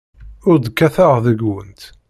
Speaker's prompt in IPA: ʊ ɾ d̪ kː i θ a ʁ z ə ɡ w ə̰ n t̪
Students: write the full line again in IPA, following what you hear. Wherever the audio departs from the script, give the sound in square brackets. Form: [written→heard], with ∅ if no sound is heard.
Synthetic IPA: ʊ ɾ d̪ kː [i→æ] θ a ʁ [z→ð] ə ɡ w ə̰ n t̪